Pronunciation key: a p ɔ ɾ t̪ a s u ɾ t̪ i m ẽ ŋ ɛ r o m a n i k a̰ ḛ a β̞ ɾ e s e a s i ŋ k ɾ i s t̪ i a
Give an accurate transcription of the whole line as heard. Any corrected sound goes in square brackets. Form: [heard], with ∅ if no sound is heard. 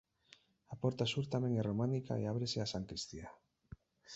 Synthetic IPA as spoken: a p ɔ ɾ t̪ a s u ɾ t̪ [a] m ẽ ŋ ɛ r o m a n i k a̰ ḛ a β̞ ɾ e s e a s [a] ŋ k ɾ i s t̪ i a